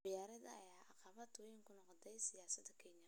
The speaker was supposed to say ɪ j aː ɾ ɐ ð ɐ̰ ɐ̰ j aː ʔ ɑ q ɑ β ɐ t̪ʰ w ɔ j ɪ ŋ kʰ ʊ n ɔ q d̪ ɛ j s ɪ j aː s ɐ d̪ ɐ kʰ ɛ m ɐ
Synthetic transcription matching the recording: ɪ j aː ɾ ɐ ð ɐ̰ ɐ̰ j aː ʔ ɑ q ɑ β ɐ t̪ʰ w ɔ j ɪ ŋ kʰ ʊ n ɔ q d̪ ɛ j s ɪ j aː s ɐ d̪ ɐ kʰ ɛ ɲ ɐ